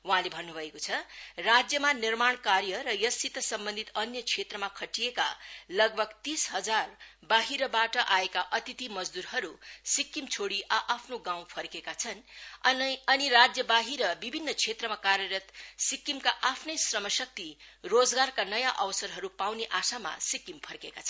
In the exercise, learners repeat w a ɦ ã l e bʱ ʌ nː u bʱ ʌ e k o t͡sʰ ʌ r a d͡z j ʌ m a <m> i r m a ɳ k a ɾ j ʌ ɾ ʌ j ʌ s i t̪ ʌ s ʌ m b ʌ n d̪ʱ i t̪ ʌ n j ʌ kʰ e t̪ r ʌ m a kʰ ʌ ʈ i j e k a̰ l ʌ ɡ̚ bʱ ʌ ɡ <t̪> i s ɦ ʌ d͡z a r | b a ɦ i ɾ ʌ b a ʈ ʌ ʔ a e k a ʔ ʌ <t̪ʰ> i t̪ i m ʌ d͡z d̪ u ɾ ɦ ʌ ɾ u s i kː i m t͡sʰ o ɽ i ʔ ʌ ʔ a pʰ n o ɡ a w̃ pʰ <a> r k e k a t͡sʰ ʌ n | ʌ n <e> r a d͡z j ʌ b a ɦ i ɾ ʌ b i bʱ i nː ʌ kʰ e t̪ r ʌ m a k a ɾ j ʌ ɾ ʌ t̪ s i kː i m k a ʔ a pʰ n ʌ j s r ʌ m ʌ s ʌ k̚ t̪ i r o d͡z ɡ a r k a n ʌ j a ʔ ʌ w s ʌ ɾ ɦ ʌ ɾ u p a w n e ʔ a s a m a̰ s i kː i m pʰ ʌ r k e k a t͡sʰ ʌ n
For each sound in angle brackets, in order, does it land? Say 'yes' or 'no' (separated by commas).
no, yes, no, no, no